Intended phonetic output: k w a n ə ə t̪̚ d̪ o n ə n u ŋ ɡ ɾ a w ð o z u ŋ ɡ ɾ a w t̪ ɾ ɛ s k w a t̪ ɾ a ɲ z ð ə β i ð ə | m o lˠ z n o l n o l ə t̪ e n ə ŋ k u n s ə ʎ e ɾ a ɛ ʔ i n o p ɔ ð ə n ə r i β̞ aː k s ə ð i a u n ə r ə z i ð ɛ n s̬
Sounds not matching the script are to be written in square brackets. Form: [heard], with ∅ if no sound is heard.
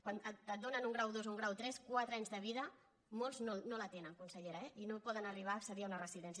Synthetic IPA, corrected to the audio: k w a n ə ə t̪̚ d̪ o n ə n u ŋ ɡ ɾ a w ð o z u ŋ ɡ ɾ a w t̪ ɾ ɛ s k w a t̪ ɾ a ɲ z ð ə β i ð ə | m o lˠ z n o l n o l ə t̪ e n ə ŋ k u n s ə ʎ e ɾ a ɛ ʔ i n o p ɔ ð ə n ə r i β̞ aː k s ə ð i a u n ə r ə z i ð ɛ n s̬